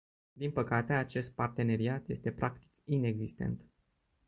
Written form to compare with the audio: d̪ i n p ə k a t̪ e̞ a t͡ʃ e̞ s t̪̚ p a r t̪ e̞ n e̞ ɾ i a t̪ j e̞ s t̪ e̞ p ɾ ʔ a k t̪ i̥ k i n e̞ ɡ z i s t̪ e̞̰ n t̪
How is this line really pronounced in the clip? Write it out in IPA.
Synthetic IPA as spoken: d̪ i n p ə k a t̪ e̞ a t͡ʃ e̞ s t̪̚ p a r t̪ e̞ n e̞ ɾ i a t̪ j e̞ s t̪ e̞ p ɾ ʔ a k t̪ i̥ k i n e̞ ɡ z i s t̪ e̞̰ n t̪